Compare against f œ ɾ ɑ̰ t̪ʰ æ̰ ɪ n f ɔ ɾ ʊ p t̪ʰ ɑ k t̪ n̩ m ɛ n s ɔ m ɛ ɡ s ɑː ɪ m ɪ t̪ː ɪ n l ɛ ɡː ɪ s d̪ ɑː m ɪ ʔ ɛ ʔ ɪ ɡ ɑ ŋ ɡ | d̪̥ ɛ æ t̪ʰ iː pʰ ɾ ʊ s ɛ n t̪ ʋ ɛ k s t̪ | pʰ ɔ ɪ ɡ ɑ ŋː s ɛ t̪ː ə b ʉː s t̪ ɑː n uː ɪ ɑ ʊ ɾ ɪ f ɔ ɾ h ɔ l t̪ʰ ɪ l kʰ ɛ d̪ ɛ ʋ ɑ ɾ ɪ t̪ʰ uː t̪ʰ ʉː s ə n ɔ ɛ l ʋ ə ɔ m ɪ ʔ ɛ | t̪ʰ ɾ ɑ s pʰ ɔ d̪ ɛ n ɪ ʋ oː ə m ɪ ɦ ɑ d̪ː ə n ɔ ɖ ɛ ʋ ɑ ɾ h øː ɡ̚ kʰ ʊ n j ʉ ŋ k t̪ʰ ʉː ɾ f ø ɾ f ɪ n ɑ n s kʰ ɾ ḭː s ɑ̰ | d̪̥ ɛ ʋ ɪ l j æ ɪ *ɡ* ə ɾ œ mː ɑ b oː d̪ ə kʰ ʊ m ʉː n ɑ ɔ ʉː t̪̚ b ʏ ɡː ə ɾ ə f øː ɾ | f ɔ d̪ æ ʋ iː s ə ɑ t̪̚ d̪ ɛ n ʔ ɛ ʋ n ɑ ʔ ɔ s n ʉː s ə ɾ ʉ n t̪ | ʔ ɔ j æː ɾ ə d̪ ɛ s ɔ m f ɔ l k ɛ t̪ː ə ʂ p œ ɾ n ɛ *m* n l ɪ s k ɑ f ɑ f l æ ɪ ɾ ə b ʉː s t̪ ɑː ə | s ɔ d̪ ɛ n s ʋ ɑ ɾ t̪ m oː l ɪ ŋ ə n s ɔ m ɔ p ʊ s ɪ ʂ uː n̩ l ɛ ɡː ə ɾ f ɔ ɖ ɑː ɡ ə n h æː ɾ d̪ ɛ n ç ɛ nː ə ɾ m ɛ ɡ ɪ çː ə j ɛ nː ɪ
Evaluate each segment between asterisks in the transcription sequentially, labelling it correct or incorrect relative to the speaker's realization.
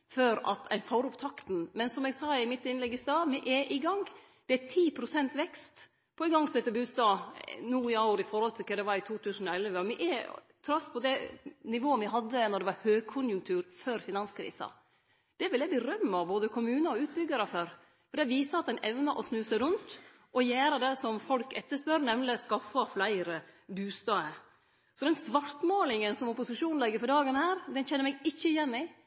incorrect: b, correct

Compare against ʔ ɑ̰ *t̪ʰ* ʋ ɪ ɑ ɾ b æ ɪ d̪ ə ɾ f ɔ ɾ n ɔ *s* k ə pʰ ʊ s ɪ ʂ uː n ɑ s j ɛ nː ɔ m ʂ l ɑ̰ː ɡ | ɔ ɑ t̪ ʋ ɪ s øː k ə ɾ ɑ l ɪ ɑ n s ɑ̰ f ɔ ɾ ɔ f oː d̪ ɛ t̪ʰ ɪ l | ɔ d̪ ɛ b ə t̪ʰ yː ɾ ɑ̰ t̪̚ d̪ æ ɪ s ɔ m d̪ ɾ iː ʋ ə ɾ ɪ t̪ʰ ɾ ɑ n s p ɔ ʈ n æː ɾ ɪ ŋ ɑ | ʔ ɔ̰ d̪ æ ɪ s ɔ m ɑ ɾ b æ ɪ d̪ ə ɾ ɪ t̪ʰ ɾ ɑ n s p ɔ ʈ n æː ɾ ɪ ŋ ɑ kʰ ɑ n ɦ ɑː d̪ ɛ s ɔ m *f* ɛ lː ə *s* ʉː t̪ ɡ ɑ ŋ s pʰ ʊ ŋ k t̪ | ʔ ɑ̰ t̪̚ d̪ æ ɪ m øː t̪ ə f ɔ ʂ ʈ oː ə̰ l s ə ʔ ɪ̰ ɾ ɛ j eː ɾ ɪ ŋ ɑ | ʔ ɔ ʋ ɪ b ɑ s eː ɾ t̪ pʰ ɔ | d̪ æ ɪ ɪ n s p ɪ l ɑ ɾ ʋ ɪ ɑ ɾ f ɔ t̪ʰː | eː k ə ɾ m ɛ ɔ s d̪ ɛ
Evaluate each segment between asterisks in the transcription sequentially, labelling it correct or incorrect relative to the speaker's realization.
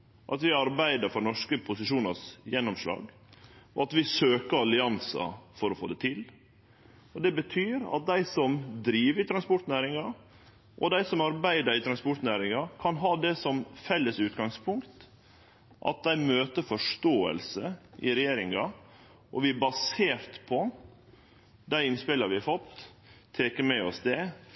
incorrect: t̪, incorrect: ʂ, correct, correct

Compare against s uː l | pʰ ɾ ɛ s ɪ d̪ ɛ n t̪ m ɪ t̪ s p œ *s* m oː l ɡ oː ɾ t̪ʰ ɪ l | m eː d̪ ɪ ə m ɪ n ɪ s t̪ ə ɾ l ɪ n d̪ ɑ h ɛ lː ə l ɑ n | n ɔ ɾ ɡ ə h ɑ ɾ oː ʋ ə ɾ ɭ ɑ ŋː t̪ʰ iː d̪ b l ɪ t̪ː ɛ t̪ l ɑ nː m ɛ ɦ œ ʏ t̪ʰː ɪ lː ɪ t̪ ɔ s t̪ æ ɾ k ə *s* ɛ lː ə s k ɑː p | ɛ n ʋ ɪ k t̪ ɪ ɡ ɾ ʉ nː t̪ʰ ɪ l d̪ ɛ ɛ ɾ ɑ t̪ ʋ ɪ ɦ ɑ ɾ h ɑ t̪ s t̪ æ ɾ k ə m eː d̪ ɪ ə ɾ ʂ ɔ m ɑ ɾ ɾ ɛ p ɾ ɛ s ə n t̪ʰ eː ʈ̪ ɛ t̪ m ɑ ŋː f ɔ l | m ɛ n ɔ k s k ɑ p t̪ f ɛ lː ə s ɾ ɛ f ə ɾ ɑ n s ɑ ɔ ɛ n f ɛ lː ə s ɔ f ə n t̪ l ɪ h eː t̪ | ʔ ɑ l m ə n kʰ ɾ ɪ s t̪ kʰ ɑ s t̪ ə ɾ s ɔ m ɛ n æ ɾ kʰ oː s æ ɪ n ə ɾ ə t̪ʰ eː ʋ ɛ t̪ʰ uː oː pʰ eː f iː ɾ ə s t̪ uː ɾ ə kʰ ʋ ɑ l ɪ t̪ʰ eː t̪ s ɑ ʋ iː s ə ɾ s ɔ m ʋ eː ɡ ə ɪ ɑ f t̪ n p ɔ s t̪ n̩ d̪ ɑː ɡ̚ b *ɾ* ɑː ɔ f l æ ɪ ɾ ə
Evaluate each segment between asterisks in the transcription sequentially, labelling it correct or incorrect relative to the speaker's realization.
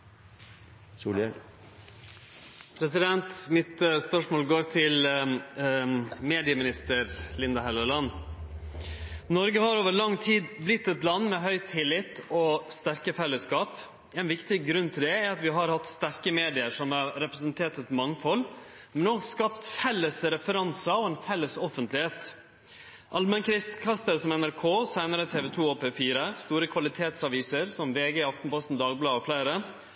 incorrect: ʂ, incorrect: f, incorrect: l

